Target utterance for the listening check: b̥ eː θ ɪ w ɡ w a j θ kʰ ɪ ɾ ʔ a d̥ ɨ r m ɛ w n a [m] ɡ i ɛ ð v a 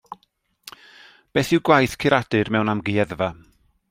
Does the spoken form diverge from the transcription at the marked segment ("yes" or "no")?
no